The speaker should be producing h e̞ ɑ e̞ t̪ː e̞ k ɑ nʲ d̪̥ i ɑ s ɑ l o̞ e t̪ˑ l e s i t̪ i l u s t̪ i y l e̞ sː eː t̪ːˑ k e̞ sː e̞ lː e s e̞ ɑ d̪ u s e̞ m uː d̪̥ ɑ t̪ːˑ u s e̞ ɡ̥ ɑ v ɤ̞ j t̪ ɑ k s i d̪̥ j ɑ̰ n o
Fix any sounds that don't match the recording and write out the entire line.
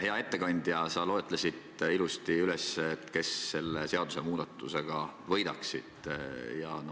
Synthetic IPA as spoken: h e̞ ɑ e̞ t̪ː e̞ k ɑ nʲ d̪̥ j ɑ s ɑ l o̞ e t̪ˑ l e s i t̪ i l u s t̪ i y l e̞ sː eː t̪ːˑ k e̞ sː e̞ lː e s e̞ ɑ d̪ u s e̞ m uː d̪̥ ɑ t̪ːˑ u s e̞ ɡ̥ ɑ v ɤ̞ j d̪ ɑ k s i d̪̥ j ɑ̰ n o